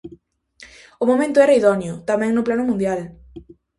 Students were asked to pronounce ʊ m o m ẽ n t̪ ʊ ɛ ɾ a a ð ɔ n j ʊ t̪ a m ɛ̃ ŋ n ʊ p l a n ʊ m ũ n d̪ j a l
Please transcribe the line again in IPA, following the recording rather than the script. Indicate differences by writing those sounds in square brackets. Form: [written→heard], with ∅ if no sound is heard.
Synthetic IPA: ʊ m o m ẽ n t̪ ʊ ɛ ɾ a [a→i] ð ɔ n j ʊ t̪ a m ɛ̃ ŋ n ʊ p l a n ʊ m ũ n d̪ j a l